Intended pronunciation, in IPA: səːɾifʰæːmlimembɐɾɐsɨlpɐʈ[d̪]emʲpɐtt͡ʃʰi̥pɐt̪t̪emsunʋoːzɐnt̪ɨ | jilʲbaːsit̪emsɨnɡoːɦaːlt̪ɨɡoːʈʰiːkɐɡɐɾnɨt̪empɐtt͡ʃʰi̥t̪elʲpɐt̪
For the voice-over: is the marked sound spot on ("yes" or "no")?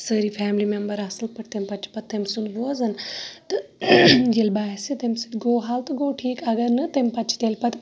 no